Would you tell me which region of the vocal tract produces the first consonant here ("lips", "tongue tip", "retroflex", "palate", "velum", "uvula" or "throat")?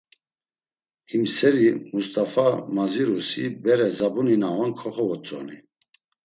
throat